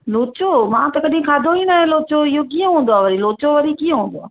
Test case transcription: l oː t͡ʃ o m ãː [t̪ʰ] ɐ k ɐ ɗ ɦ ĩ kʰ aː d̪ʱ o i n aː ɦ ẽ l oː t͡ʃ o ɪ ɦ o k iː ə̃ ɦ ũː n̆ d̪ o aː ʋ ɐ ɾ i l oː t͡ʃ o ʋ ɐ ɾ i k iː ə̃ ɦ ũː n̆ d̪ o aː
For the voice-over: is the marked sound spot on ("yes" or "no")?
no